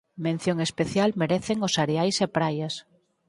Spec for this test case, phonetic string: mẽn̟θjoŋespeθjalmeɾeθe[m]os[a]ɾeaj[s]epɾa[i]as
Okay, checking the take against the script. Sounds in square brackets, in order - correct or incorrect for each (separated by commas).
incorrect, correct, correct, incorrect